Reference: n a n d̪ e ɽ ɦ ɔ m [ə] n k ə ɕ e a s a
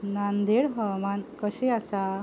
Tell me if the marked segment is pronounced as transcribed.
no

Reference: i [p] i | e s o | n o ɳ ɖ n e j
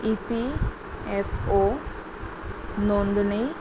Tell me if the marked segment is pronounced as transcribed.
yes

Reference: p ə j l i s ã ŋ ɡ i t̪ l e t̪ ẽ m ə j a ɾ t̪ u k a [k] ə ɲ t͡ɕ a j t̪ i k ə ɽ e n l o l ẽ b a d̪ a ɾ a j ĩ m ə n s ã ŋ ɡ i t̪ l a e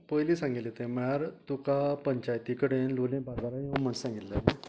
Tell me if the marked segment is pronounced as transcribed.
no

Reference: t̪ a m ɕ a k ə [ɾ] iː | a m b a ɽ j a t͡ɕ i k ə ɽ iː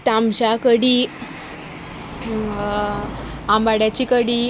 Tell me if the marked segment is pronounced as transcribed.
no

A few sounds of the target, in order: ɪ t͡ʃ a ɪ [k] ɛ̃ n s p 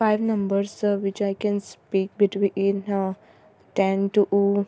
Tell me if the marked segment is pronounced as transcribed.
yes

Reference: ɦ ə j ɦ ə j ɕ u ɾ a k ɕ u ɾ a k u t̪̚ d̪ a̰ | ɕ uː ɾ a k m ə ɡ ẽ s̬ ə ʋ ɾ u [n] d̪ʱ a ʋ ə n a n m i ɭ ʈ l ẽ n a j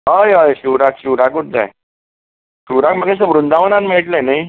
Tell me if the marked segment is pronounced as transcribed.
yes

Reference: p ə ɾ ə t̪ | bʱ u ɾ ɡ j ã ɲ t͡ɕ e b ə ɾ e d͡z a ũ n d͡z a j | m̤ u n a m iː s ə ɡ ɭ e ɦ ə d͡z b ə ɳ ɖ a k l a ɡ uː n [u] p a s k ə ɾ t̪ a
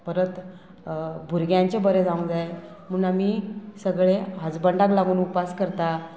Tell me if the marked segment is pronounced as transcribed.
yes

